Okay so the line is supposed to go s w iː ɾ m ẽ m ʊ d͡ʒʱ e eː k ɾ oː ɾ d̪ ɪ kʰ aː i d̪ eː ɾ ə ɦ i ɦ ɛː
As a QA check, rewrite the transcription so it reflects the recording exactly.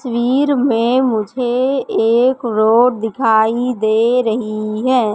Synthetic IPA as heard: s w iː ɾ m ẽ m ʊ d͡ʒʱ e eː k ɾ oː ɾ d̪ ɪ kʰ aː i d̪ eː ɾ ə ɦ i ɦ ɛː